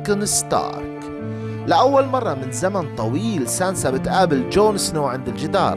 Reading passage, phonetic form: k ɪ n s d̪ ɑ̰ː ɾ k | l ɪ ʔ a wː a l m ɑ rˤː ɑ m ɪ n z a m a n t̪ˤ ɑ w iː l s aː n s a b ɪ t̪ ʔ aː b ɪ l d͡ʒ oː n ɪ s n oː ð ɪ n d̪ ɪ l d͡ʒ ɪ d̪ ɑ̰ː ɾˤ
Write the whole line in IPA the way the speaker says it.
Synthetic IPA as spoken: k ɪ n s t̪ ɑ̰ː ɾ k | l ɪ ʔ a wː a l m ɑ rˤː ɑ m ɪ n z a m a n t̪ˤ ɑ w iː l s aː n s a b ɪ t̪ ʔ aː b ɪ l d͡ʒ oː n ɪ s n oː ʕ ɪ n d̪ ɪ l d͡ʒ ɪ d̪ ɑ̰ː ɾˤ